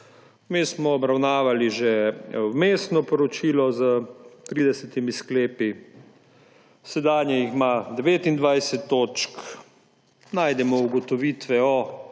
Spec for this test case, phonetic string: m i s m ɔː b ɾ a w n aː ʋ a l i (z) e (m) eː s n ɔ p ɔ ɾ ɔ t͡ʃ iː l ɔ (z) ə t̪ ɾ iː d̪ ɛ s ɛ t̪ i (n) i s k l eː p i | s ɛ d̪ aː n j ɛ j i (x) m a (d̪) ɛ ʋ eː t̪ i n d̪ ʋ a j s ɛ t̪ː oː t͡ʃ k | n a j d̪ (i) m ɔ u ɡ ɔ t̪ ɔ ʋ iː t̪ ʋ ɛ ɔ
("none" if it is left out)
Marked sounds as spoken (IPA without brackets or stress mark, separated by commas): ʒ, m, z, m, x, d̪, ɛ